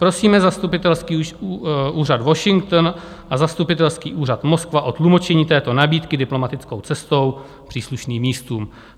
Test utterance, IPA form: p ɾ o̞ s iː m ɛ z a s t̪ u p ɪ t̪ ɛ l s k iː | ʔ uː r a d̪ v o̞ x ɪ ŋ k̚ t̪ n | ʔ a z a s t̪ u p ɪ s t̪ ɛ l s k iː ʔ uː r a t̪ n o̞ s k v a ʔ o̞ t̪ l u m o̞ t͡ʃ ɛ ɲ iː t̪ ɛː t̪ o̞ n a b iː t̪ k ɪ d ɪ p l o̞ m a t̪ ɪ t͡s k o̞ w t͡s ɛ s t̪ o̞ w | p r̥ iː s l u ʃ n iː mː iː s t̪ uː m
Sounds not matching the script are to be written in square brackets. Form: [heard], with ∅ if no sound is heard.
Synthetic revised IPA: p ɾ o̞ s iː m ɛ z a s t̪ u p ɪ t̪ ɛ l s k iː | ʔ uː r a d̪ v o̞ [ʃ] ɪ ŋ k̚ t̪ n | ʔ a z a s t̪ u p ɪ [∅] t̪ ɛ l s k iː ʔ uː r a t̪ [m] o̞ s k v a ʔ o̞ t̪ l u m o̞ t͡ʃ ɛ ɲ iː t̪ ɛː t̪ o̞ n a b iː t̪ k ɪ d ɪ p l o̞ m a t̪ ɪ t͡s k o̞ w t͡s ɛ s t̪ o̞ w | p r̥ iː s l u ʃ n iː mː iː s t̪ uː m

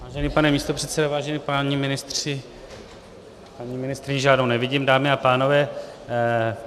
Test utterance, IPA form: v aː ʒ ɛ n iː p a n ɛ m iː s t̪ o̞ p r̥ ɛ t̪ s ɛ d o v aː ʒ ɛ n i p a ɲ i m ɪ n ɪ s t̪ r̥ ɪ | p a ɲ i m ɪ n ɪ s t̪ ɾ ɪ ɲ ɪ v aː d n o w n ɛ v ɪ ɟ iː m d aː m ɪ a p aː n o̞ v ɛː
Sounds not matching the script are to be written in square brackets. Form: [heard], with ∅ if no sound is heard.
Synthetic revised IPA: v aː ʒ ɛ n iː p a n ɛ m iː s t̪ o̞ p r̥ ɛ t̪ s ɛ d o v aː ʒ ɛ n i p a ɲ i m ɪ n ɪ s t̪ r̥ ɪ | p a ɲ i m ɪ n ɪ s t̪ ɾ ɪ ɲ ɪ [ʒ] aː d n o w n ɛ v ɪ ɟ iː m d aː m ɪ a p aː n o̞ v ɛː

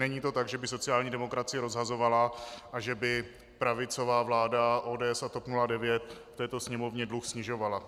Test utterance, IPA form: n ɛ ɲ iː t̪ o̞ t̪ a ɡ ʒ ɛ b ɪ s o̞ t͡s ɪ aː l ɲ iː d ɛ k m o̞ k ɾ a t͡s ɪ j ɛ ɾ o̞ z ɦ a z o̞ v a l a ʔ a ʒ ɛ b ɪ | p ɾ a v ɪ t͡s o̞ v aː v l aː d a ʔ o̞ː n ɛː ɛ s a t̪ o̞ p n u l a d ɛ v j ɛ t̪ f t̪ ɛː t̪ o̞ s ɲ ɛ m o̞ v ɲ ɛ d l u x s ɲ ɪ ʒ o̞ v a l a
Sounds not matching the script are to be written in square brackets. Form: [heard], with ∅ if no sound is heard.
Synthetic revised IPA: n ɛ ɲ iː t̪ o̞ t̪ a ɡ ʒ ɛ b ɪ s o̞ t͡s ɪ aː l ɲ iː d ɛ [∅] m o̞ k ɾ a t͡s ɪ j ɛ ɾ o̞ z ɦ a z o̞ v a l a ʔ a ʒ ɛ b ɪ | p ɾ a v ɪ t͡s o̞ v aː v l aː d a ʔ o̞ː [d] ɛː ɛ s a t̪ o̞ p n u l a d ɛ v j ɛ t̪ f t̪ ɛː t̪ o̞ s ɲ ɛ m o̞ v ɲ ɛ d l u x s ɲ ɪ ʒ o̞ v a l a

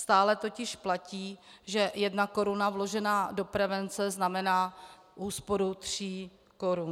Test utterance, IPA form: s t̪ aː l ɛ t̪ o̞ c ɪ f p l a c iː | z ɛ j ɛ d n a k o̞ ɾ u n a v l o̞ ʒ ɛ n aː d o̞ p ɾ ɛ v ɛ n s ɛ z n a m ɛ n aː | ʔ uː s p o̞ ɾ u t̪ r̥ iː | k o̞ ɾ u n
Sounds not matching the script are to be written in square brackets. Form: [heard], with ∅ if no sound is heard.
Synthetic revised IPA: s t̪ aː l ɛ t̪ o̞ c ɪ [ʃ] p l a c iː | [ʒ] ɛ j ɛ d n a k o̞ ɾ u n a v l o̞ ʒ ɛ n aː d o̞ p ɾ ɛ v ɛ n [t͡s] ɛ z n a m ɛ n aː | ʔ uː s p o̞ ɾ u t̪ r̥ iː | k o̞ ɾ u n

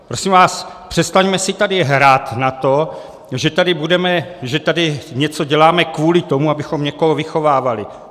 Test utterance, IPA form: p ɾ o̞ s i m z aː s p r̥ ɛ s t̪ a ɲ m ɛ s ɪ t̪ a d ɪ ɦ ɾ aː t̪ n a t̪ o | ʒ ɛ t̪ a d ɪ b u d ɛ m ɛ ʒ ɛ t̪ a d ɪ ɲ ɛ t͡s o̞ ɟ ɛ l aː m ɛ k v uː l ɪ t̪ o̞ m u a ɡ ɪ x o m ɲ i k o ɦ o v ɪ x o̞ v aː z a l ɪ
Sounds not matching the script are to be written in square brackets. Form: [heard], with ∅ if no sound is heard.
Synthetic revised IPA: p ɾ o̞ s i m [v] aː s p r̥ ɛ s t̪ a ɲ m ɛ s ɪ t̪ a d ɪ ɦ ɾ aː t̪ n a t̪ o | ʒ ɛ t̪ a d ɪ b u d ɛ m ɛ ʒ ɛ t̪ a d ɪ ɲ ɛ t͡s o̞ ɟ ɛ l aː m ɛ k v uː l ɪ t̪ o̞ m u a [b] ɪ x o m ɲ [ɛ] k o ɦ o v ɪ x o̞ v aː [v] a l ɪ

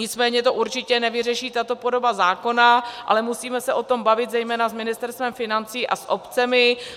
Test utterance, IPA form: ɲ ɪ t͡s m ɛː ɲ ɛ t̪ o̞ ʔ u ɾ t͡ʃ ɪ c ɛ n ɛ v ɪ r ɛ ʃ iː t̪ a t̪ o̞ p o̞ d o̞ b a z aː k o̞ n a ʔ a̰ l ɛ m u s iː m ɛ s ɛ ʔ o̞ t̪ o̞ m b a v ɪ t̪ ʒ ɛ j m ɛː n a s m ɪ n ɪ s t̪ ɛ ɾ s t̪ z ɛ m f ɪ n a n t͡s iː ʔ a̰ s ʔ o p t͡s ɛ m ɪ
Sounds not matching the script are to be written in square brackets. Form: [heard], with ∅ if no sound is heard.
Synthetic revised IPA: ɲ ɪ t͡s m ɛː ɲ ɛ t̪ o̞ ʔ u ɾ t͡ʃ ɪ c ɛ n ɛ v ɪ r ɛ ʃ iː t̪ a t̪ o̞ p o̞ d o̞ b a z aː k o̞ n a ʔ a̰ l ɛ m u s iː m ɛ s ɛ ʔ o̞ t̪ o̞ m b a v ɪ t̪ [z] ɛ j m ɛː n a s m ɪ n ɪ s t̪ ɛ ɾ s t̪ [v] ɛ m f ɪ n a n t͡s iː ʔ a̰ s ʔ o p t͡s ɛ m ɪ

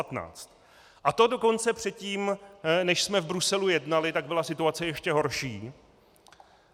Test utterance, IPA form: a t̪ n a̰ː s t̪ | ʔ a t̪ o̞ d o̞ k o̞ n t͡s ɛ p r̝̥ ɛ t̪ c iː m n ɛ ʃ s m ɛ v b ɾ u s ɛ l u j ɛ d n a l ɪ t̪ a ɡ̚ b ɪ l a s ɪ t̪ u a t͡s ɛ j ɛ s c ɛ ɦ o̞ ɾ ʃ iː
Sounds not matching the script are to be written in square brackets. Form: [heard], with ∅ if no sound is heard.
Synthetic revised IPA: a t̪ n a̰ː [t͡s] t̪ | ʔ a t̪ o̞ d o̞ k o̞ n t͡s ɛ p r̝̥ ɛ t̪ c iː m n ɛ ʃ s m ɛ v b ɾ u s ɛ l u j ɛ d n a l ɪ t̪ a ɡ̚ b ɪ l a s ɪ t̪ u a t͡s ɛ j ɛ [ʃ] c ɛ ɦ o̞ ɾ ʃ iː

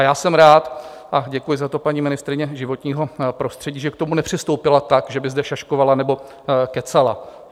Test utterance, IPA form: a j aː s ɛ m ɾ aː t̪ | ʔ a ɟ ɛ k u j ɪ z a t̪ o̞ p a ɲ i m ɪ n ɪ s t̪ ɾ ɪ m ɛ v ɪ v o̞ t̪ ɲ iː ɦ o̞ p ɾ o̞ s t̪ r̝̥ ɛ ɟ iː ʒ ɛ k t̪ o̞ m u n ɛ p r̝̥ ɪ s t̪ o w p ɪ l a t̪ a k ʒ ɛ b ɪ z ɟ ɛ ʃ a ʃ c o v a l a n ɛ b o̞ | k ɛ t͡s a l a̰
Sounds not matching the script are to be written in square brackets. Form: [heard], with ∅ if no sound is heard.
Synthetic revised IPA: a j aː s ɛ m ɾ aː t̪ | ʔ a ɟ ɛ k u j ɪ z a t̪ o̞ p a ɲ i m ɪ n ɪ s t̪ ɾ ɪ [ɲ] ɛ [ʒ] ɪ v o̞ t̪ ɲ iː ɦ o̞ p ɾ o̞ s t̪ r̝̥ ɛ ɟ iː ʒ ɛ k t̪ o̞ m u n ɛ p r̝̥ ɪ s t̪ o w p ɪ l a t̪ a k ʒ ɛ b ɪ z [d] ɛ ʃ a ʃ [k] o v a l a n ɛ b o̞ | k ɛ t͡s a l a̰

